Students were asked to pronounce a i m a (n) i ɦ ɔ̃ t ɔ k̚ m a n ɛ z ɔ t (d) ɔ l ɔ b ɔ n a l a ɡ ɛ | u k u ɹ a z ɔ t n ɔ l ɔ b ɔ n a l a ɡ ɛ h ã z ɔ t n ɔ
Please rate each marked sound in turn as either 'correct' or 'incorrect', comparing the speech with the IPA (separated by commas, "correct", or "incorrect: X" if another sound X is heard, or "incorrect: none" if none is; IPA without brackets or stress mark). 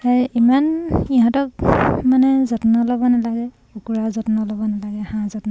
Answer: correct, incorrect: n